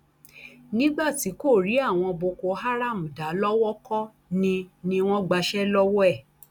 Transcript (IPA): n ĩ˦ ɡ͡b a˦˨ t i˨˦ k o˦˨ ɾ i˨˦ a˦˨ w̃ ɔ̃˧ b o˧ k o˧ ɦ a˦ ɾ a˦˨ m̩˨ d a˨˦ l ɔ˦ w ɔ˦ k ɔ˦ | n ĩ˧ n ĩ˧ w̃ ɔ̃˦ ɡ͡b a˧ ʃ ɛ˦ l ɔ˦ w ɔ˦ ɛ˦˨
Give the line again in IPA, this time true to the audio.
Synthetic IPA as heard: n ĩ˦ ɡ͡b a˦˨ t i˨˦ k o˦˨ ɾ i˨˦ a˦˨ w̃ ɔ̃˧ b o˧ k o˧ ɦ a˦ ɾ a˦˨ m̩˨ d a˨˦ l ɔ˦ w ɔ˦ k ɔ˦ | n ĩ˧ n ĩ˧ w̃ ɔ̃˦ ɡ͡b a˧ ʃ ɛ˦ l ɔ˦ w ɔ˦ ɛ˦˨